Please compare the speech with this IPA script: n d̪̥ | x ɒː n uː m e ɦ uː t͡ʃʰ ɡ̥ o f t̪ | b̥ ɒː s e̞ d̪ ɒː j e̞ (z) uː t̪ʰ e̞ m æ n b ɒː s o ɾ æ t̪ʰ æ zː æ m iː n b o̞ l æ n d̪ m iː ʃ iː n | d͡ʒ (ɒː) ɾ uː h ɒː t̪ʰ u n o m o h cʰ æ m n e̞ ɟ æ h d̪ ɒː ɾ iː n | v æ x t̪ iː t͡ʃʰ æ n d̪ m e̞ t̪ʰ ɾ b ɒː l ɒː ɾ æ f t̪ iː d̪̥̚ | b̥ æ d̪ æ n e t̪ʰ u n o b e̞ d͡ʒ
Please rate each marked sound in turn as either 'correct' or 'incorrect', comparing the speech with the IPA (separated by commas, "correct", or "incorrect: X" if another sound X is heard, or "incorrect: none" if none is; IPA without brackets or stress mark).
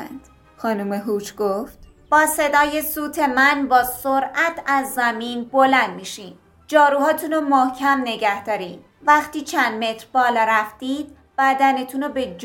incorrect: s, correct